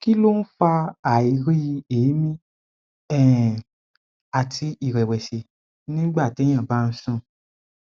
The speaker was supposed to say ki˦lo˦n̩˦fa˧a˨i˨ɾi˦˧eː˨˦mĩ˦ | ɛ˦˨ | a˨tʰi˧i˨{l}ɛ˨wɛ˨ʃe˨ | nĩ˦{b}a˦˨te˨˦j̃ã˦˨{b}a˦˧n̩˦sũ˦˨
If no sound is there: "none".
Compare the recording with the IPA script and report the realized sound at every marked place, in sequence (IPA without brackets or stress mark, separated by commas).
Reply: ɾ, ɡ͡b, b